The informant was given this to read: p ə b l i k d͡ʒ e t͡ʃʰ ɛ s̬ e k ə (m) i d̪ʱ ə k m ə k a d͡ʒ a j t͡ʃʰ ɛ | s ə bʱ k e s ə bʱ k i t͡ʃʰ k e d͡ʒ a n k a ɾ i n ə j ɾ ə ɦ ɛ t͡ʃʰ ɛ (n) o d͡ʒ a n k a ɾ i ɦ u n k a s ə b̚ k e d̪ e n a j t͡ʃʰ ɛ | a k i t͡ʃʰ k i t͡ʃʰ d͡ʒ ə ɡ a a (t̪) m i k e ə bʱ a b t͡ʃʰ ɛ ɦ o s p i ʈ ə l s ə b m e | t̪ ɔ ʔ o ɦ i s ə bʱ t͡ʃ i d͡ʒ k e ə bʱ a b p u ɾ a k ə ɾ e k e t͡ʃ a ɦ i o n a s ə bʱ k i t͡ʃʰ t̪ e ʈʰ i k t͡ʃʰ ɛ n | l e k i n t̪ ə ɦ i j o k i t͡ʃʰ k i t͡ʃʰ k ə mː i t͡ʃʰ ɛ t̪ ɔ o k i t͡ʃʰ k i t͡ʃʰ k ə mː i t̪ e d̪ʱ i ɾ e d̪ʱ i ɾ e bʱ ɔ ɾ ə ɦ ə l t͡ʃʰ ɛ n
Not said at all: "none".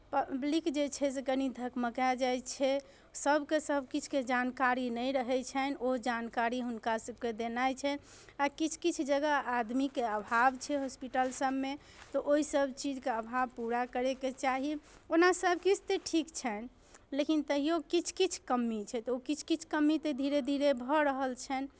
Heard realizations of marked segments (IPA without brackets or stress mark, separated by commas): n, n, d̪